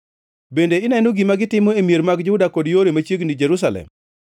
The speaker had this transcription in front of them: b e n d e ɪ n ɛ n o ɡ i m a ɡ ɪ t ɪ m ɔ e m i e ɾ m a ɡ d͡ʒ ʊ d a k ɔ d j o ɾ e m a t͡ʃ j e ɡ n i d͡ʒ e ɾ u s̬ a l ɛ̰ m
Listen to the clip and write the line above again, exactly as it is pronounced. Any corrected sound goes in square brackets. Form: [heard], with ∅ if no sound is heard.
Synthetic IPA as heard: b e n d e ɪ n ɛ n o ɡ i m a ɡ ɪ t ɪ m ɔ e m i e ɾ m a ɡ d͡ʒ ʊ d a k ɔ d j o ɾ e m a t͡ʃ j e ɡ n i d͡ʒ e ɾ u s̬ a l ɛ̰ m